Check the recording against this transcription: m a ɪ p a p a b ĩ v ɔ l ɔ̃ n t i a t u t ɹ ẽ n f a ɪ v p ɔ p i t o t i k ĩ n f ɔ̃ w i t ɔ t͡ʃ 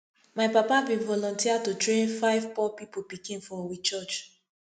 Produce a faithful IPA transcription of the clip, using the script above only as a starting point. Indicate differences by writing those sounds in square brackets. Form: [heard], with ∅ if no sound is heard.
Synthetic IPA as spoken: m a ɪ p a p a b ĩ v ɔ l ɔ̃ n t i a t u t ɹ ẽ n f a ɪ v p ɔ p i [p] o [p] i k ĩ n f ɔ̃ w i [t͡ʃ] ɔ t͡ʃ